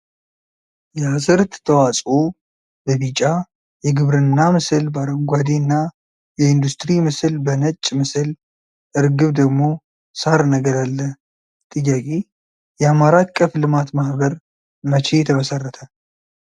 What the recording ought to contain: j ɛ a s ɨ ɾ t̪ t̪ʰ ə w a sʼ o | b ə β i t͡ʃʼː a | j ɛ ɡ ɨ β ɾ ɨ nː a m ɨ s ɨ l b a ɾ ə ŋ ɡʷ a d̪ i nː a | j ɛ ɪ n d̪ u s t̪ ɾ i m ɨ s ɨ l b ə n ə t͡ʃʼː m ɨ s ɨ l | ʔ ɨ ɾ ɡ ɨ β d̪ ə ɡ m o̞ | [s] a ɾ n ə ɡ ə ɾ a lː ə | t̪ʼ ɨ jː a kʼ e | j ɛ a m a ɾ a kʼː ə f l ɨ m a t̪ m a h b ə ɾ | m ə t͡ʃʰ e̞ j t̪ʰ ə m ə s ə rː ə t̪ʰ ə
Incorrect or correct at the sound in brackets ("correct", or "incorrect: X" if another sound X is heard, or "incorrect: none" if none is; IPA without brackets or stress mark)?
correct